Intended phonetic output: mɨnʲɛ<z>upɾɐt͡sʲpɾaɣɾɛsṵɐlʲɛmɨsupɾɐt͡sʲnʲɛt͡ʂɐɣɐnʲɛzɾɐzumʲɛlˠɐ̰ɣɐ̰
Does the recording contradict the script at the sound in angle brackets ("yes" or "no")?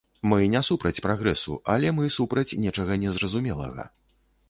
yes